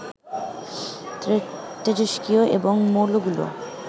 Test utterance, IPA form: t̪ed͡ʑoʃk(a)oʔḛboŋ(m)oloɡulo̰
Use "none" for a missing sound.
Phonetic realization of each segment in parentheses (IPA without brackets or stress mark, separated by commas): i, m